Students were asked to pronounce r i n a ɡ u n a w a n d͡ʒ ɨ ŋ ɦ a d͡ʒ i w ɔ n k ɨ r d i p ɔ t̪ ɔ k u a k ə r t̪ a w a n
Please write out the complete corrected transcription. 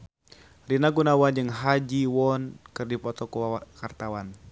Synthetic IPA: r i n a ɡ u n a w a n d͡ʒ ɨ ŋ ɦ a d͡ʒ i w ɔ n k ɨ r d i p ɔ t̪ ɔ k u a k a r t̪ a w a n